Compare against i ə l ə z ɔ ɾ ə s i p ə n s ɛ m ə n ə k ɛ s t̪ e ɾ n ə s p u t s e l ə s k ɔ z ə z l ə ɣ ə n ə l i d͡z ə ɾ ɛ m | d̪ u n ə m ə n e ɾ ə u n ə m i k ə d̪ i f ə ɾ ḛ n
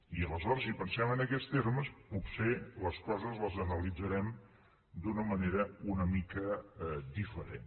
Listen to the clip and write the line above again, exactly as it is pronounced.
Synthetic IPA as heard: i ə l ə z ɔ ɾ ə s i p ə n s ɛ m ə n ə k ɛ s t̪ e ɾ m ə s p u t s e l ə s k ɔ z ə z l ə z ə n ə l i d͡z ə ɾ ɛ m | d̪ u n ə m ə n e ɾ ə u n ə m i k ə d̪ i f ə ɾ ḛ n

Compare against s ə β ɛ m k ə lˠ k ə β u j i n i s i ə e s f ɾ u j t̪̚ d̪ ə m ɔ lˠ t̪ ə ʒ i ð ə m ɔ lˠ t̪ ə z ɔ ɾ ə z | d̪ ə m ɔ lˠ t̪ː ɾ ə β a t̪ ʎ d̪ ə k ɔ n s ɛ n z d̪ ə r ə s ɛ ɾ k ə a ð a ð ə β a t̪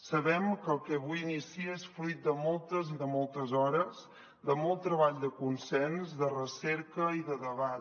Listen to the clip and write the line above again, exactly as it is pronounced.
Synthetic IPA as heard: s ə β ɛ m k ə lˠ k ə β u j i n i s i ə e s f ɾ u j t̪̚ d̪ ə m ɔ lˠ t̪ ə z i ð ə m ɔ lˠ t̪ ə z ɔ ɾ ə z | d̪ ə m ɔ lˠ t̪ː ɾ ə β a ʎ d̪ ə k u n s ɛ n z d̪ ə r ə s ɛ ɾ k ə i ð ə ð ə β a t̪

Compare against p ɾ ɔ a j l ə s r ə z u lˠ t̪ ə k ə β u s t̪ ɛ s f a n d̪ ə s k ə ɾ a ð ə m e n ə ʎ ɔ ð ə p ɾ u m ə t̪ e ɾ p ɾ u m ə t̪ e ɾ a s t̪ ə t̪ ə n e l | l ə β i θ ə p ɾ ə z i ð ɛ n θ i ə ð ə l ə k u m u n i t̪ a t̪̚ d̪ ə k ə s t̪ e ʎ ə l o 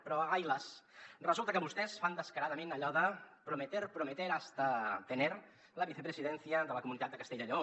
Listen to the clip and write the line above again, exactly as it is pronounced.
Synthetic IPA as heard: p ɾ ɔ a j l ə s r ə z u lˠ t̪ ə k ə β u s t̪ ɛ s f a n d̪ ə s k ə ɾ a ð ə m e n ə ʎ ɔ ð ə p ɾ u m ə t̪ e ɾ p ɾ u m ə t̪ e ɾ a s t̪ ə t̪ ə n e ɾ | l ə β i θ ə p ɾ ə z i ð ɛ n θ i ə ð ə l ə k u m u n i t̪ a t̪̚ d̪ ə k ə s t̪ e ʎ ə ʎ o

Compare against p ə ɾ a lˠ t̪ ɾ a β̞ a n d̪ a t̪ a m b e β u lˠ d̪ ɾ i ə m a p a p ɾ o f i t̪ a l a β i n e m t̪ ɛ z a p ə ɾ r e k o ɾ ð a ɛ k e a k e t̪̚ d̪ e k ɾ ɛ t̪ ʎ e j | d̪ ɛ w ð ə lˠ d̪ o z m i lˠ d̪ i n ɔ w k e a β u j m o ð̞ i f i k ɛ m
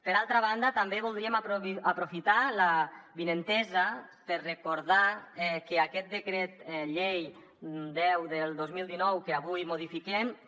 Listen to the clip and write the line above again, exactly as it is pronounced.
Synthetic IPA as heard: p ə ɾ a lˠ t̪ ɾ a β̞ a n d̪ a t̪ a m b e β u lˠ d̪ ɾ i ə m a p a p ɾ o f i t̪ a l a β i n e n t̪ ɛ z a p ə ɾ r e k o ɾ ð a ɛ k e a k ɛ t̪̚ d̪ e k ɾ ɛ t̪ ʎ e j | d̪ ɛ w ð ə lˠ d̪ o z m i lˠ d̪ i n ɔ w k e a β u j m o ð̞ i f i k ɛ m

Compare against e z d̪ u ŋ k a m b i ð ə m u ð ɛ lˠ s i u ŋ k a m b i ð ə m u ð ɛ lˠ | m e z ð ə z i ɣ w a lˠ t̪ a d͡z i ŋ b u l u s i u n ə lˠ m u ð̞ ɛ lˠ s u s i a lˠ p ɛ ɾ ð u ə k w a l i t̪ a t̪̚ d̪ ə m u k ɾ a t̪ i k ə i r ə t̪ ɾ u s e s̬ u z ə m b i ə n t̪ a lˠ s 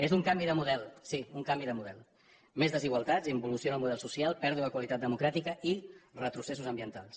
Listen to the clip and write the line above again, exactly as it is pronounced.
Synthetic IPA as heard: e z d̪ u ŋ k a m b i ð ə m u ð ɛ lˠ s i u ŋ k a m b i ð ə m u ð ɛ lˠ | m e z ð ə z i ɣ w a lˠ t̪ a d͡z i m b u l u s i o n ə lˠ m u ð̞ ɛ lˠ s u s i a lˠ p ɛ ɾ ð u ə k w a l i t̪ a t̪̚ d̪ ə m u k ɾ a t̪ i k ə i r ə t̪ ɾ u s e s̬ u z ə m b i ə n t̪ a lˠ s

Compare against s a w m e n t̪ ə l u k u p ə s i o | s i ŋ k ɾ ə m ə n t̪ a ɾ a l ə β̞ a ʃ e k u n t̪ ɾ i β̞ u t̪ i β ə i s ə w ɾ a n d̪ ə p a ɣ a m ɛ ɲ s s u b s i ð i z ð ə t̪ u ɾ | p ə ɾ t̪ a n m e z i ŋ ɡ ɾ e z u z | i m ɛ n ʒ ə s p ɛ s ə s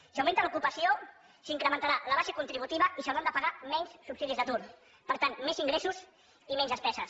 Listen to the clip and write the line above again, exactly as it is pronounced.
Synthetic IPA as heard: s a w m e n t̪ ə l u k u p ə s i o | s i ŋ k ɾ ə m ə n t̪ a ɾ a l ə β̞ a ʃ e k u n t̪ ɾ i β̞ u t̪ i β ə i s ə w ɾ a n d̪ ə p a ɣ a m ɛ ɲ s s u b s i ð i z ð ə t̪ u ɾ | p ə ɾ t̪ a n m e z i ŋ ɡ ɾ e s u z | i m ɛ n z ə s p ɛ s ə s

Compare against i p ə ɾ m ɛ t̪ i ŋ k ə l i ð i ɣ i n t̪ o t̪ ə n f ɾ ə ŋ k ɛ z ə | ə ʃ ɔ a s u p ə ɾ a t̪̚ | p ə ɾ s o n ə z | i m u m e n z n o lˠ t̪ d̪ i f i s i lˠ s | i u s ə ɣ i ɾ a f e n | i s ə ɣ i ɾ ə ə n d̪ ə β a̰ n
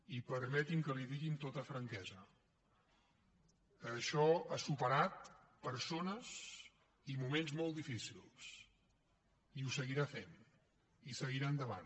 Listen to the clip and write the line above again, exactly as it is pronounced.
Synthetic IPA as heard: i p ə ɾ m ɛ t̪ i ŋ k ə l i ð i ɣ i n t̪ o t̪ ə f ɾ ə ŋ k ɛ z ə | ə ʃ ɔ a s u p ə ɾ a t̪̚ | p ə ɾ s o n ə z | i m u m e n z m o lˠ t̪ d̪ i f i s i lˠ s | i u s ə ɣ i ɾ a f e n | i s ə ɣ i ɾ a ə n d̪ ə β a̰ n

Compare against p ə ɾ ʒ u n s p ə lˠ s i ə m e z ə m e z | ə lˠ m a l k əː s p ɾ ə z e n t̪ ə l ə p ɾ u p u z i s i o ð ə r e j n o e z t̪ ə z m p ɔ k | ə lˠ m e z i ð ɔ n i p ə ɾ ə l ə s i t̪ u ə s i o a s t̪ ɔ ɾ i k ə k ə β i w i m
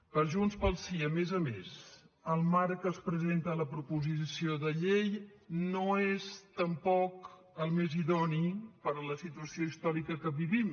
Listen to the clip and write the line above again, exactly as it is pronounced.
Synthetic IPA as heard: p ə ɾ ʒ u n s p ə lˠ s i ə m e z ə m e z | ə lˠ m a ɾ k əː s p ɾ ə z e n t̪ ə l ə p ɾ u p u z i s i o ð ə ʎ e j n o e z t̪ ə m p ɔ k | ə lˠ m e z i ð ɔ n i p ə ɾ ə l ə s i t̪ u ə s i o i s t̪ ɔ ɾ i k ə k ə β i β i m

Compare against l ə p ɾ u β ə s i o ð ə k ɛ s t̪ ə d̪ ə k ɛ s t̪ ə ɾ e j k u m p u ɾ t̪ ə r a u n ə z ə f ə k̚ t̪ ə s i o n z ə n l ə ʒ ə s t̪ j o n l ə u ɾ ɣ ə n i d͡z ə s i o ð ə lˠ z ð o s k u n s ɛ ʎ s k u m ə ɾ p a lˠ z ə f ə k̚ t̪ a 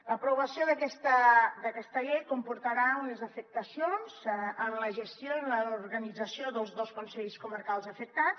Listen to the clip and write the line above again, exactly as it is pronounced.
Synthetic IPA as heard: l ə p ɾ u β ə s i o ð ə k ɛ s t̪ ə d̪ ə k ɛ s t̪ ə ʎ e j k u m p u ɾ t̪ ə ɾ a u n ə z ə f ə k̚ t̪ ə s i o n z ə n l ə ʒ ə s t̪ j o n l ə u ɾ ɣ ə n i d͡z ə s i o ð ə lˠ z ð o s k u n s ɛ ʎ s k u m ə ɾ k a lˠ z ə f ə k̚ t̪ a

